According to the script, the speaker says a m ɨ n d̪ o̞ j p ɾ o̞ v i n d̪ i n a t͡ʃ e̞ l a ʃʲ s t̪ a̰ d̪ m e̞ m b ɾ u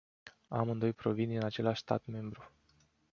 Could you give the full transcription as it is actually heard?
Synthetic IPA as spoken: a m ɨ n d̪ o̞ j p ɾ o̞ v i n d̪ i n a t͡ʃ e̞ l a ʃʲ s t̪ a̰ t̪ m e̞ m b ɾ u